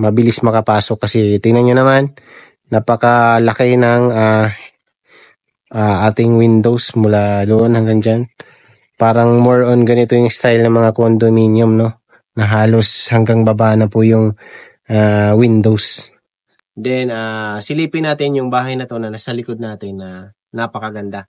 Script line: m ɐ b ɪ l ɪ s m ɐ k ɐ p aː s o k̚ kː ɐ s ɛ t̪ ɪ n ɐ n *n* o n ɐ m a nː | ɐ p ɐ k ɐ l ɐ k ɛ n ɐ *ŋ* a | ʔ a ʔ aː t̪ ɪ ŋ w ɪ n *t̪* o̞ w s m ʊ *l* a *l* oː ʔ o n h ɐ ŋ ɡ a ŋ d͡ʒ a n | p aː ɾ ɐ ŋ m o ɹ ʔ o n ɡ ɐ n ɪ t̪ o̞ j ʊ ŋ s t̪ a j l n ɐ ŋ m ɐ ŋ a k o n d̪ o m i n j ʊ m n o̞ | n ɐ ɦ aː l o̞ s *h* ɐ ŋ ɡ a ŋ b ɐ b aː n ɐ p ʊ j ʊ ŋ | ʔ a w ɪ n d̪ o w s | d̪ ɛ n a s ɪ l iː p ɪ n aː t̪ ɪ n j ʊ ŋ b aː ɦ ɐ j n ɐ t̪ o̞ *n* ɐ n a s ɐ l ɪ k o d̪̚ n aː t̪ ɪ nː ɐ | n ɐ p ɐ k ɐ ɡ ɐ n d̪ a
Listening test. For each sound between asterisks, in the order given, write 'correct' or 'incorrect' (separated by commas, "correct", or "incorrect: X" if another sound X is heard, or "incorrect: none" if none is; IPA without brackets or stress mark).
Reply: incorrect: ɲ, correct, incorrect: d̪, correct, correct, correct, correct